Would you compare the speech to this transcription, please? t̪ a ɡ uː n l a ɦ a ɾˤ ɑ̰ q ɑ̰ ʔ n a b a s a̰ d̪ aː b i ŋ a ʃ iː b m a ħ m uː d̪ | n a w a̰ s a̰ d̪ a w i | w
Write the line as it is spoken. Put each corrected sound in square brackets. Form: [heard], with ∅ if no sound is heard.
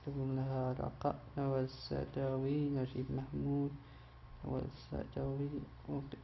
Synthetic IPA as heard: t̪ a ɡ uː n l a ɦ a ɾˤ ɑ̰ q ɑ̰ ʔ n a [w] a s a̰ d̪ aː [w] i [n] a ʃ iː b m a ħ m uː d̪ | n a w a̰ s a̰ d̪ a w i | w

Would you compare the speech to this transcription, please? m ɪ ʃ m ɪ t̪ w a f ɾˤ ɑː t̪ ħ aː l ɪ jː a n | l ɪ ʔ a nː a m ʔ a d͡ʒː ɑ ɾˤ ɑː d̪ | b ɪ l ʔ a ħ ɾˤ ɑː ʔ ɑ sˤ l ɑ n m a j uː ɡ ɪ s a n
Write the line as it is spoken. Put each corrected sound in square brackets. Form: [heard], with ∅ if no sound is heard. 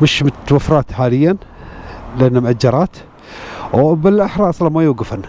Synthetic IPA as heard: m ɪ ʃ m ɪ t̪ w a f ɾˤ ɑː t̪ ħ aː l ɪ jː a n | l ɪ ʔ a nː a m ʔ a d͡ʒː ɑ ɾˤ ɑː [t̪] | b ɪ l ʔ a ħ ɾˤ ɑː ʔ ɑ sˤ l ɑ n m a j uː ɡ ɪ [f] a n

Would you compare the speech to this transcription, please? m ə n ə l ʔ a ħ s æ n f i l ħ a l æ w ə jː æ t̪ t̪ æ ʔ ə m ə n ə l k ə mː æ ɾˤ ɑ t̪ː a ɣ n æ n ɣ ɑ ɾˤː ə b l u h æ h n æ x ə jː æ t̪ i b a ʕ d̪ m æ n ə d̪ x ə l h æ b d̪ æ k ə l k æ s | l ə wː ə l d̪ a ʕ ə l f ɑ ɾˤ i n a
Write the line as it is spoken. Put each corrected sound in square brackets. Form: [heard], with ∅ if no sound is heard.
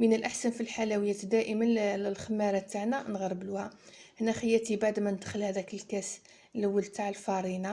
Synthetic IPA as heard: m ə n ə l ʔ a ħ s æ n f i l ħ a l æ w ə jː æ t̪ [d̪] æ ʔ ə m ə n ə l [x] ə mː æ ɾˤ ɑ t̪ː a [ʕ] n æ n ɣ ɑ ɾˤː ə b l u h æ h n æ x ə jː æ t̪ i b a ʕ d̪ m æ n ə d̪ x ə l h æ [∅] d̪ æ k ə l k æ s | l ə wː ə l [t̪] a ʕ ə l f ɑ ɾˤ i n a

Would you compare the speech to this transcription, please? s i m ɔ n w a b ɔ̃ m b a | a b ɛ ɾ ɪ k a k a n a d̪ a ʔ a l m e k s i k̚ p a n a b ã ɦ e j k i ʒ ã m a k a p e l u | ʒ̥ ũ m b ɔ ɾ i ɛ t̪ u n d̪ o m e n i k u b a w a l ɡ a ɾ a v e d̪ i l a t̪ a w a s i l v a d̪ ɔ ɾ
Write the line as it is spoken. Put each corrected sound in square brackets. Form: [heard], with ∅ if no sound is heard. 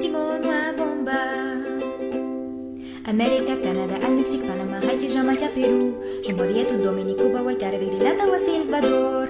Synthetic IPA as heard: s i m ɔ n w a b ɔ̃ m b a | a [m] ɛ ɾ [i] k a k a n a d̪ a ʔ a l m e k s i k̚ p a n a [m] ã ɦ [a] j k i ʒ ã m a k a p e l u | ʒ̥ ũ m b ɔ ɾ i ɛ t̪ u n d̪ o m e n i k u b a w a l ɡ a ɾ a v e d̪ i l a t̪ a w a s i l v a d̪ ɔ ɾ

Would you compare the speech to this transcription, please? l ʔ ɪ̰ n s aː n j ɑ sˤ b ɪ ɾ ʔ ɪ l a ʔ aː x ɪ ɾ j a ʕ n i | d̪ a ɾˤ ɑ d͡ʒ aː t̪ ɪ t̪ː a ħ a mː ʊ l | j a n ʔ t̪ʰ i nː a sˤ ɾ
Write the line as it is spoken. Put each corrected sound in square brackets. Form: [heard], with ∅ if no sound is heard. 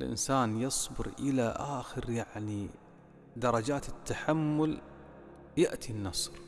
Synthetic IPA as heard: l ʔ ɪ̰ n s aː n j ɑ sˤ b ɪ ɾ ʔ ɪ l a ʔ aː x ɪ ɾ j a ʕ n i | d̪ [ɑ] ɾˤ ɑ d͡ʒ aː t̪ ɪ t̪ː a ħ a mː ʊ l | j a [∅] ʔ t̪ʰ i nː [ɑ] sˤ ɾ

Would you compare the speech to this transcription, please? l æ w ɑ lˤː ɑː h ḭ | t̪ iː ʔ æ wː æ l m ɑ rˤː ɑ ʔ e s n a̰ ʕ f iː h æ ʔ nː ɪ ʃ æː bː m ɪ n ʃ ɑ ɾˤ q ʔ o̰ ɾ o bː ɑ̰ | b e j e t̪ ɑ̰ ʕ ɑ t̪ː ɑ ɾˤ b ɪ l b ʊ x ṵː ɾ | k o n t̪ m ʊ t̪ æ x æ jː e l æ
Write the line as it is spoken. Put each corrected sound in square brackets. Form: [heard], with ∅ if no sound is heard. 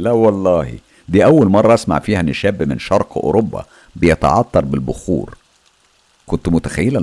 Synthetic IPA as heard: l æ w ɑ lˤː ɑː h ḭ | [d̪] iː ʔ æ wː æ l m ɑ rˤː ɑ ʔ [æ] s [m] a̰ ʕ f iː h æ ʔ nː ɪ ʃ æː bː m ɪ n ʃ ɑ ɾˤ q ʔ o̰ ɾ o bː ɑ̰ | b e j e t̪ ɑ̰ ʕ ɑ t̪ː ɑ ɾˤ b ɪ l b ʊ x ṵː ɾ | k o n t̪ m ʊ t̪ æ x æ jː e l æ

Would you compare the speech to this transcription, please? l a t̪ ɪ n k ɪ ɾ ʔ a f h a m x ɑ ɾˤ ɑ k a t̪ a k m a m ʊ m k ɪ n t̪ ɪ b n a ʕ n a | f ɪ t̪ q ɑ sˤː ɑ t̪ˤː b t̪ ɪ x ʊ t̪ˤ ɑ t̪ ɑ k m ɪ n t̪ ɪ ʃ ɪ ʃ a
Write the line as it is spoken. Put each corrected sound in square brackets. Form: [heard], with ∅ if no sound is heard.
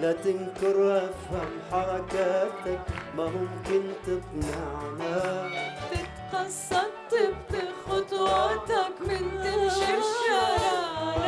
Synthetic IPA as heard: l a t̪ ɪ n k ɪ ɾ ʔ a f h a m [ħ] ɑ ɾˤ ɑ k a t̪ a k m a m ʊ m k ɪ n t̪ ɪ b n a ʕ n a | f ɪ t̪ q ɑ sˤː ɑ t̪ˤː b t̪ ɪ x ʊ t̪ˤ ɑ t̪ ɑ k m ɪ n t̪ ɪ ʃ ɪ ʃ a

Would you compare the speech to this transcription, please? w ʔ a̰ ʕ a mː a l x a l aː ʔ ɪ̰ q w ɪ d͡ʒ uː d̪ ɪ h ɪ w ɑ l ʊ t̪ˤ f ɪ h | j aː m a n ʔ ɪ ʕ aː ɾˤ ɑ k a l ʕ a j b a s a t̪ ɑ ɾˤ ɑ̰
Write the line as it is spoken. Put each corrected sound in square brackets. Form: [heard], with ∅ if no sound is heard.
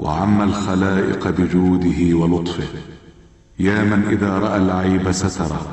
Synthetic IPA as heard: w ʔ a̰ ʕ a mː a l x a l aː ʔ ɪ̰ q [b] ɪ d͡ʒ uː d̪ ɪ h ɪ w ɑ l ʊ t̪ˤ f ɪ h | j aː m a n ʔ ɪ [ð] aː ɾˤ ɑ [ʔ] a l ʕ a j b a s a t̪ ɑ ɾˤ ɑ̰

